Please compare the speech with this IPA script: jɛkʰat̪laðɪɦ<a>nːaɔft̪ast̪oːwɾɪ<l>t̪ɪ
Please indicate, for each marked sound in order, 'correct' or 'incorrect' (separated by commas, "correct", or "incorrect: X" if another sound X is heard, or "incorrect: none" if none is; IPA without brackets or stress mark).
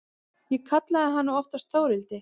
correct, correct